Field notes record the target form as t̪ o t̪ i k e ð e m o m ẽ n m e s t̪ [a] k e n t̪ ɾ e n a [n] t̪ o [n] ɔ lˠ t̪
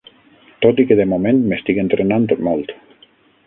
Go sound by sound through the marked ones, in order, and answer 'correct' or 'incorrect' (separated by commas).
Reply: incorrect, correct, incorrect